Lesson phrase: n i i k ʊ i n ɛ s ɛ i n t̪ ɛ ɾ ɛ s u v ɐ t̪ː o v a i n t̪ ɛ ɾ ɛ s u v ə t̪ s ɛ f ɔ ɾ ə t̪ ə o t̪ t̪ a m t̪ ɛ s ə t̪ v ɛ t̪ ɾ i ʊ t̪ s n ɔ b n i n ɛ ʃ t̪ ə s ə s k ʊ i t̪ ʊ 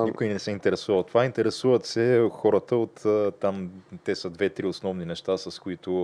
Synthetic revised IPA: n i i k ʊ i n ɛ s ɛ i n t̪ ɛ ɾ ɛ s u v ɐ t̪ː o v a i n t̪ ɛ ɾ ɛ s u v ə t̪ s ɛ x ɔ ɾ ə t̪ ə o t̪ t̪ a m t̪ ɛ s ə d̪ v ɛ t̪ ɾ i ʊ s n ɔ v n i n ɛ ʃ t̪ a s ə s k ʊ i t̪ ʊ